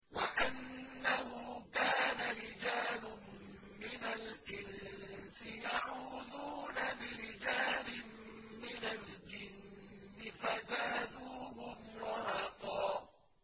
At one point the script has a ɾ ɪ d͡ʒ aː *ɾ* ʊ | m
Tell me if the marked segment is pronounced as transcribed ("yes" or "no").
no